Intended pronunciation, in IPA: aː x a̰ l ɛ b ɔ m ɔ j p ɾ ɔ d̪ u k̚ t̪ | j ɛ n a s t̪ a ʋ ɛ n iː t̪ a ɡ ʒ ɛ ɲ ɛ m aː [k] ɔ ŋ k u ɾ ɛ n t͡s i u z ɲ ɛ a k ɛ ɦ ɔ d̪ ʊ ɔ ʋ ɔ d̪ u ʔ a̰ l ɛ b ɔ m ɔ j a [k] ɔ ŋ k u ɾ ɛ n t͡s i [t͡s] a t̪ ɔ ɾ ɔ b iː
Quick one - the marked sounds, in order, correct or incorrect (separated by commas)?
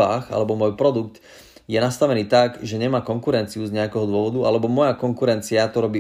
correct, correct, incorrect